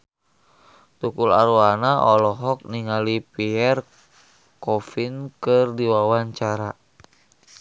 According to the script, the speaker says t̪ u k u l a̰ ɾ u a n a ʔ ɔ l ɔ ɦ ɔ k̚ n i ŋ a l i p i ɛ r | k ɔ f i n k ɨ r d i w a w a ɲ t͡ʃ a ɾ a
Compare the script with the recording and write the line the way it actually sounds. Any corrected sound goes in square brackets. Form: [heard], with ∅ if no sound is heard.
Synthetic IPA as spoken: t̪ u k u l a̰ ɾ u a n a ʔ ɔ l ɔ ɦ ɔ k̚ n i ŋ a l i p i ɛ r | k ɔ f i n k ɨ r d i w a w a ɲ t͡ʃ a ɾ a